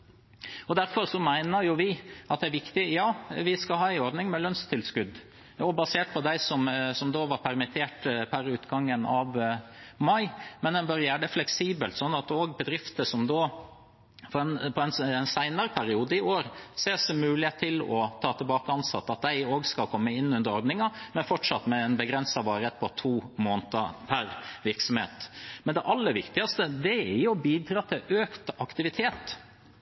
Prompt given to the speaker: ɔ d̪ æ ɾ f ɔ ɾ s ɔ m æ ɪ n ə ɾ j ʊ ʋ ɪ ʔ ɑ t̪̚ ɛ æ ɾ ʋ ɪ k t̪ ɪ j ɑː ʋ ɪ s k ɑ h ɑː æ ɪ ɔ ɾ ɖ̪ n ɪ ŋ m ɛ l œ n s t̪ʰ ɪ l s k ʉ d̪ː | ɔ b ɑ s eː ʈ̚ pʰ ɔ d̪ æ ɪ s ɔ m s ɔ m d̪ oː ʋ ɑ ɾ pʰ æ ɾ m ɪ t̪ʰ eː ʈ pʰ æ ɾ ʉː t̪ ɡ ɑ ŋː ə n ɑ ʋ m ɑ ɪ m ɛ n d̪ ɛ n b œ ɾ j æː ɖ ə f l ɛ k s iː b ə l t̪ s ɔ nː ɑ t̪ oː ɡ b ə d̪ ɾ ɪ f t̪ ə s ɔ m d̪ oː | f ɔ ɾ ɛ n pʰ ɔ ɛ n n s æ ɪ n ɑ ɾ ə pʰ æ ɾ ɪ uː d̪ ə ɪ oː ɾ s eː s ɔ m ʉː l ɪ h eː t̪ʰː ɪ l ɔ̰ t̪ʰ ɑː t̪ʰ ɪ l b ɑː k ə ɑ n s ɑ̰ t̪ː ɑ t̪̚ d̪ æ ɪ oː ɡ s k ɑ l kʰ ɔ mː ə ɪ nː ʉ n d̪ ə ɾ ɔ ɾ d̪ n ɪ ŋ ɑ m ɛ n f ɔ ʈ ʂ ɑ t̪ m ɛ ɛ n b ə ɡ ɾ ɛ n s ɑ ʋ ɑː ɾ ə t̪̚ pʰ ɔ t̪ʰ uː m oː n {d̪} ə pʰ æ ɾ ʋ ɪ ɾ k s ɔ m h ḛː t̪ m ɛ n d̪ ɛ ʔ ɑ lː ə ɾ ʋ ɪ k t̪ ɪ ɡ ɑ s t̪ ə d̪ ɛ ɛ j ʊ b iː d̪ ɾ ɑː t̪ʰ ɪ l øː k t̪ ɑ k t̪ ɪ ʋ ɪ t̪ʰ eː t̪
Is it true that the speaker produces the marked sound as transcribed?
no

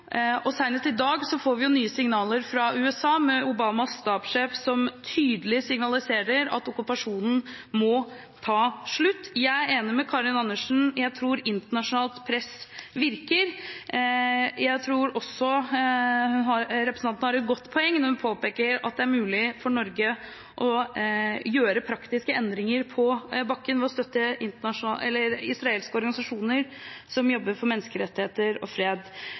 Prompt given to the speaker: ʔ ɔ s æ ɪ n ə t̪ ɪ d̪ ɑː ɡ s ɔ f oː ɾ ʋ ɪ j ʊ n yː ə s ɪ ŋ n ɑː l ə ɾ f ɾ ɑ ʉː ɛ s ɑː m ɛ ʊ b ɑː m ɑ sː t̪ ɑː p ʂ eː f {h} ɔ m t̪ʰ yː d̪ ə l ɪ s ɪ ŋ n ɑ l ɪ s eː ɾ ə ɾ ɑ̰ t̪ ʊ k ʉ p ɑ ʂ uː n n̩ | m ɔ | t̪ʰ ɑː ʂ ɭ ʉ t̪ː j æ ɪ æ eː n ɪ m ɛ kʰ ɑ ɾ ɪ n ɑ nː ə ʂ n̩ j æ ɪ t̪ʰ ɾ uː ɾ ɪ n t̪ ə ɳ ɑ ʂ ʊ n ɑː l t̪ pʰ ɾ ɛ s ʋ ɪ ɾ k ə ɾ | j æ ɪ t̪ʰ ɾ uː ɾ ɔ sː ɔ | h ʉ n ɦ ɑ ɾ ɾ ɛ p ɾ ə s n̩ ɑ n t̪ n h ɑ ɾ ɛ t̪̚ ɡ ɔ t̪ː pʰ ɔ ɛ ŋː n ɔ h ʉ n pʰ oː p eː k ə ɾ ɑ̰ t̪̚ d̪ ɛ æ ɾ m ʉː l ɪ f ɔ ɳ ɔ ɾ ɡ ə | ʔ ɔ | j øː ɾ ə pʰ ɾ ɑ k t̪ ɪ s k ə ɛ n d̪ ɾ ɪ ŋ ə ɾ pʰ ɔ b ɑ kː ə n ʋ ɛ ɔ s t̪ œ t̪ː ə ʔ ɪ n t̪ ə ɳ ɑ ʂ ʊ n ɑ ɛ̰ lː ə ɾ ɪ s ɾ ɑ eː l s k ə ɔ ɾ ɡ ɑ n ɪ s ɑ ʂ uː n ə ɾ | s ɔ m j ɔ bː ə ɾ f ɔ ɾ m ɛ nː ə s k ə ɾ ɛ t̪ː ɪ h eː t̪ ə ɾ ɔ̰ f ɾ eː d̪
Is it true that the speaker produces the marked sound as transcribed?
no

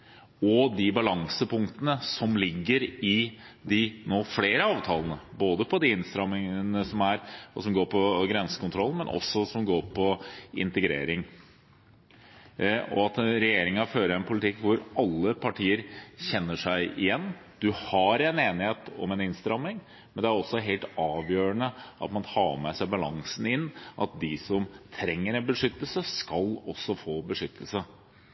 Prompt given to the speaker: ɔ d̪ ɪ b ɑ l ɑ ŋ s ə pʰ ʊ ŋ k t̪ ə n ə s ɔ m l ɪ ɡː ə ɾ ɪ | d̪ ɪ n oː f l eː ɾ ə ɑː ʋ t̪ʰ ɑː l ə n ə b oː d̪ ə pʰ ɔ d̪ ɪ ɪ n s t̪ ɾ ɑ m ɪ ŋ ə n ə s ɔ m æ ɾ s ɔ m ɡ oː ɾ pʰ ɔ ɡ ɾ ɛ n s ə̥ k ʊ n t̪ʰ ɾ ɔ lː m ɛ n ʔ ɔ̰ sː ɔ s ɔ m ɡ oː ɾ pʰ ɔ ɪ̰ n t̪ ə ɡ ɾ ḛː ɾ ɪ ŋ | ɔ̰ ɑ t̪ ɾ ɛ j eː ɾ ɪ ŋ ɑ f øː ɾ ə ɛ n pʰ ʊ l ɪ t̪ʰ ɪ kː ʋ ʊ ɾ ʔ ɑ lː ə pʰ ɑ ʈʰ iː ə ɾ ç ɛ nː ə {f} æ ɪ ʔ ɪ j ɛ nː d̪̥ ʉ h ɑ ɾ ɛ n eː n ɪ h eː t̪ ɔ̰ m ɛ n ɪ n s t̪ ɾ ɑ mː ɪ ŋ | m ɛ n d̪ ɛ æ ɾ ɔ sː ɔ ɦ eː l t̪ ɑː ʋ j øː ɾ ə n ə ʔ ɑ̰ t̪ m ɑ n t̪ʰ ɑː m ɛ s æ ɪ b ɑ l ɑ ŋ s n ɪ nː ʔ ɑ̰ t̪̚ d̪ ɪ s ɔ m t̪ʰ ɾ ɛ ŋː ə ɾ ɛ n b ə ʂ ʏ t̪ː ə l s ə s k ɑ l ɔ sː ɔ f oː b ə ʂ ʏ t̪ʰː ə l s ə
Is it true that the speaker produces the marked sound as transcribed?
no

